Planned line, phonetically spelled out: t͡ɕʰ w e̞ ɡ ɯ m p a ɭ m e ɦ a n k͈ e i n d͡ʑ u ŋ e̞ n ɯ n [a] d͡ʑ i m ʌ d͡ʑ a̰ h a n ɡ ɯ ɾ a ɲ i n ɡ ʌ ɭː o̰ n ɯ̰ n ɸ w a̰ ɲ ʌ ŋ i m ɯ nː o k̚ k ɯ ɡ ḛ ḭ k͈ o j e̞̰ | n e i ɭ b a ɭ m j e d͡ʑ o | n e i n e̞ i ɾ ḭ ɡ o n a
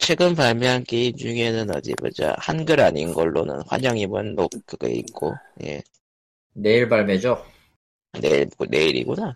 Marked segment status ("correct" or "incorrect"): incorrect